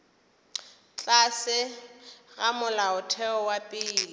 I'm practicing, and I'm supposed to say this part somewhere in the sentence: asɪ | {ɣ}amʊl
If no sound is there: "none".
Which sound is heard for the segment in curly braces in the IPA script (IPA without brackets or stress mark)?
ɣ